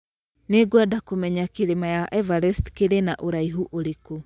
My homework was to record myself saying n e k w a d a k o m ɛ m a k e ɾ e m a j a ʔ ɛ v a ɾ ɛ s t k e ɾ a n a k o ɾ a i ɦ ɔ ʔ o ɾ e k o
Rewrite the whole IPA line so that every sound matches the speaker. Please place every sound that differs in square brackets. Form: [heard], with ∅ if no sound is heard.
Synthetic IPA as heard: n e [ɡ] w a d a k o m ɛ [ɲ] a k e ɾ e m a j a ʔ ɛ v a ɾ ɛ s t k e ɾ [e] n a [ʔ] o ɾ a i ɦ [u] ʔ o ɾ e k o